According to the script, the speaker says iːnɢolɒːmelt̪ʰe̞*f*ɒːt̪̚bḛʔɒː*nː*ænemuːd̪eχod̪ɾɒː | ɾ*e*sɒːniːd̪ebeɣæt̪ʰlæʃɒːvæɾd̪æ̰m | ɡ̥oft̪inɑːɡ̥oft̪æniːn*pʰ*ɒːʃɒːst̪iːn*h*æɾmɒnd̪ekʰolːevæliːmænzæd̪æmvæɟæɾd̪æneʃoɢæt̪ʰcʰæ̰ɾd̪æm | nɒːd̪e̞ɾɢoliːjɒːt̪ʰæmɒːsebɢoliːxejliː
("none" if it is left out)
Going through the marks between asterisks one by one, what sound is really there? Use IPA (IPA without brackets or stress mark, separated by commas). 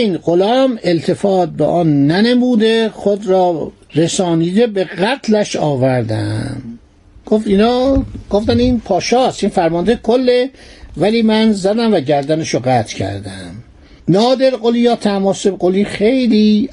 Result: f, nː, e, pʰ, f